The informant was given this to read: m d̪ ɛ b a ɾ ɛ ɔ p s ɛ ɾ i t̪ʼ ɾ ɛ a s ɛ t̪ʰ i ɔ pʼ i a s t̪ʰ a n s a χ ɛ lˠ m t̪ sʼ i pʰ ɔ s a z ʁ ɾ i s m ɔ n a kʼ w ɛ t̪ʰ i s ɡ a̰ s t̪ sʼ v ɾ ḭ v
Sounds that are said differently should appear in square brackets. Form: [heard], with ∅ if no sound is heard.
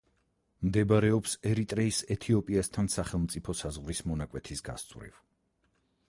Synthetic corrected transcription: m d̪ ɛ b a ɾ ɛ ɔ p s ɛ ɾ i t̪ʼ ɾ ɛ [i] s ɛ t̪ʰ i ɔ pʼ i a s t̪ʰ a n s a χ ɛ lˠ m t̪ sʼ i pʰ ɔ s a z ʁ ɾ i s m ɔ n a kʼ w ɛ t̪ʰ i s ɡ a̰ s t̪ sʼ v ɾ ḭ v